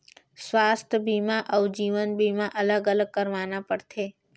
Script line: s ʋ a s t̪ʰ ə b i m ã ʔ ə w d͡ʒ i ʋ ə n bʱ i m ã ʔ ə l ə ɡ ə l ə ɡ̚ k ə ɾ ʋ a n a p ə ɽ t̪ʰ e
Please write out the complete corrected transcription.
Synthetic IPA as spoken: s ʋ a s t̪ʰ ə b i m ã ʔ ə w d͡ʒ i ʋ ə n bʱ i m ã ʔ ə l ə ɡ ə l ə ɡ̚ k ə ɾ ʋ a n a p ə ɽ t̪ʰ e